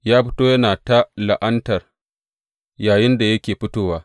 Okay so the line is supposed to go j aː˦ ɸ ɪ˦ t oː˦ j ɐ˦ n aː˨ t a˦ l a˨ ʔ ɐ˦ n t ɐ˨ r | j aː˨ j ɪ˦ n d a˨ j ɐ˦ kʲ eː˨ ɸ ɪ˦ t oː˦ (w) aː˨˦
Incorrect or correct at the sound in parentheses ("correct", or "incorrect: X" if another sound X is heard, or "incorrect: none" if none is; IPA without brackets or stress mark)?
correct